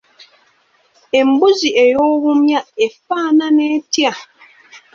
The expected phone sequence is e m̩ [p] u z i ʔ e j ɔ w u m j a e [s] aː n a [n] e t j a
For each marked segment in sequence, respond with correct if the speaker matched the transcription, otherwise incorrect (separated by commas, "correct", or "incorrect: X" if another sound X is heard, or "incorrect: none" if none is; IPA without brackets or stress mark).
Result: incorrect: b, incorrect: f, correct